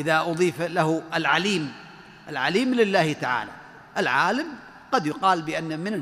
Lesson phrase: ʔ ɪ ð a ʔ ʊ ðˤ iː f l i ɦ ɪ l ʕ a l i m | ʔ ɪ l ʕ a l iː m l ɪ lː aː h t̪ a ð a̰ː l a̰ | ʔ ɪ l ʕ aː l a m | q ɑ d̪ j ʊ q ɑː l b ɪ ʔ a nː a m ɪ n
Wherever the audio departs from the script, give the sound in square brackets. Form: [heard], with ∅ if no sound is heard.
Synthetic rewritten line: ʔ ɪ ð a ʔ ʊ ðˤ iː f l [a] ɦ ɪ l ʕ a l [iː] m | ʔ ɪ l ʕ a l iː m l ɪ lː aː h t̪ a [ʕ] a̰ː l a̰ | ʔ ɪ l ʕ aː l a m | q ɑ d̪ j ʊ q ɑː l b ɪ ʔ a nː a m ɪ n